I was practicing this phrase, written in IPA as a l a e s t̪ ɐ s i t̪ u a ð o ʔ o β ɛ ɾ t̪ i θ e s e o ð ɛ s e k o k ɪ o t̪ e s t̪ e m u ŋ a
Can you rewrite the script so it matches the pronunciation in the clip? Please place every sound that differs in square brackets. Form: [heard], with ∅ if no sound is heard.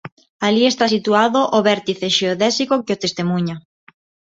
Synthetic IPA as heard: a l [i] e s t̪ [a] s i t̪ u a ð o ʔ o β ɛ ɾ t̪ i θ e [ʃ] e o ð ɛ s [i] k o k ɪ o t̪ e s t̪ e m u [ɲ] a